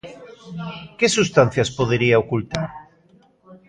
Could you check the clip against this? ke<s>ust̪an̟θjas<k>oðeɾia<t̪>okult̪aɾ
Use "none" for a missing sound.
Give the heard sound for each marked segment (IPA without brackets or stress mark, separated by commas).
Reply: s, p, none